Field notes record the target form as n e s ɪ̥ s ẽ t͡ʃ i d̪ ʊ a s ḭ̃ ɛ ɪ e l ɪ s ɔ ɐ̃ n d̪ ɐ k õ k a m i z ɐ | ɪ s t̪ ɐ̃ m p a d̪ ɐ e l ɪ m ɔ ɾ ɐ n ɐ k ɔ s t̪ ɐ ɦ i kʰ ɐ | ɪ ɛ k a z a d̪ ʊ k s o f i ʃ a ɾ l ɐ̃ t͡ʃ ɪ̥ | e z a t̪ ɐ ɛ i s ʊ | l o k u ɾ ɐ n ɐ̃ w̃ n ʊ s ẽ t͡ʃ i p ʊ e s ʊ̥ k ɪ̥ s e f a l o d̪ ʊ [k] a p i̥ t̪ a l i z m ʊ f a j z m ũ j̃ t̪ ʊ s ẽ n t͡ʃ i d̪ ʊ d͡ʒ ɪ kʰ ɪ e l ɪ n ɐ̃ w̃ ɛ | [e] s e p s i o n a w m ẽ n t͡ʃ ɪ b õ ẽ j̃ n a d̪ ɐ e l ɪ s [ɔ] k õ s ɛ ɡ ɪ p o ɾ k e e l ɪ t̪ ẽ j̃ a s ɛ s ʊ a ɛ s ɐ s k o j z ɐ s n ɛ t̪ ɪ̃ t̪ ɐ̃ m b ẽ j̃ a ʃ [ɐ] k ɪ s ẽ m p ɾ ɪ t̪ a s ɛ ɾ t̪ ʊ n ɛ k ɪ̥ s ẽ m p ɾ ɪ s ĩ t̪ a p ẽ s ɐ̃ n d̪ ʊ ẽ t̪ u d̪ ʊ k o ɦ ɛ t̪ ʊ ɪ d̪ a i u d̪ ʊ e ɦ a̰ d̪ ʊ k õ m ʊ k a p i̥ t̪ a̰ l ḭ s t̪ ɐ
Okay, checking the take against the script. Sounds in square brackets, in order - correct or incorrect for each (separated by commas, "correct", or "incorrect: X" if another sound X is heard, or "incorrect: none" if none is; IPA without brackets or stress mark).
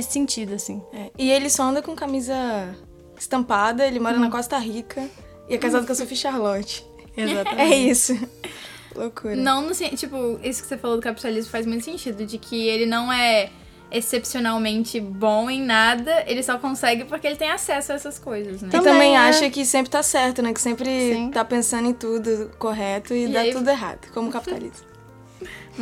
correct, correct, correct, correct